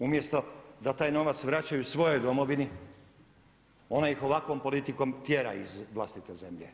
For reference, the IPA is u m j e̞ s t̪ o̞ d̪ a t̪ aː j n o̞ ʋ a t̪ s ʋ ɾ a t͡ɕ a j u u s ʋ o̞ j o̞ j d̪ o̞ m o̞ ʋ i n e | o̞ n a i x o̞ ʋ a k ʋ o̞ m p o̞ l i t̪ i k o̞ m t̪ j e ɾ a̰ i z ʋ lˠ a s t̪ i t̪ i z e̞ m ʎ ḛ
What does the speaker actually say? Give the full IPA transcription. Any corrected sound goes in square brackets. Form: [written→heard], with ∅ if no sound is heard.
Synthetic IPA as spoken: u m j e̞ s t̪ o̞ d̪ a t̪ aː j n o̞ ʋ a t̪ s ʋ ɾ a t͡ɕ a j u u s ʋ o̞ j o̞ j d̪ o̞ m o̞ ʋ i n [e→i] | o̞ n a i x o̞ ʋ a k ʋ o̞ m p o̞ l i t̪ i k o̞ m t̪ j e ɾ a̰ i z ʋ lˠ a s t̪ i t̪ [i→e] z e̞ m ʎ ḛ